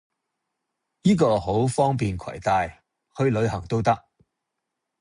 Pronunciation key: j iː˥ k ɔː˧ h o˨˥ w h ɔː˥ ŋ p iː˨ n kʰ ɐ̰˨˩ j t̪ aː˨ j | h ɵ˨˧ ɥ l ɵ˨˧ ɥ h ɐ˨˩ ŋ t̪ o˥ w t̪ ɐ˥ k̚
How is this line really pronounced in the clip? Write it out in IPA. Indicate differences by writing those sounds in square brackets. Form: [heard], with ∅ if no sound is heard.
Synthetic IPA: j iː˥ k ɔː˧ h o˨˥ w [f] ɔː˥ ŋ p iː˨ n kʰ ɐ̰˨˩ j t̪ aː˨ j | h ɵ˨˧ ɥ l ɵ˨˧ ɥ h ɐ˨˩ ŋ t̪ o˥ w t̪ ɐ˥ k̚